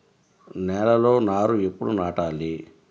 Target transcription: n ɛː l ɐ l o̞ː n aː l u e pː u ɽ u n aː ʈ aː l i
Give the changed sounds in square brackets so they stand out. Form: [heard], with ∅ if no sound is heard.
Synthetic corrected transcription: n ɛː l ɐ l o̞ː n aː [ɾ] u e pː u ɽ u n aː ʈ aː l i